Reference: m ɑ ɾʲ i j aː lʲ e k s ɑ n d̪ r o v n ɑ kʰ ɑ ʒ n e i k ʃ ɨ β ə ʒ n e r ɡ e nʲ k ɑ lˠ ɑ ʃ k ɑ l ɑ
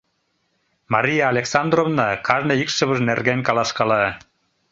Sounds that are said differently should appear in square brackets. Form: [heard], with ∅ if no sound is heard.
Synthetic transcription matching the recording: m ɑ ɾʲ i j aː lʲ e k s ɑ n d̪ r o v n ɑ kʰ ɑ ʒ n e i k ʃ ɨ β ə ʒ n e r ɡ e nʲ k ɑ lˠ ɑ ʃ k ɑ l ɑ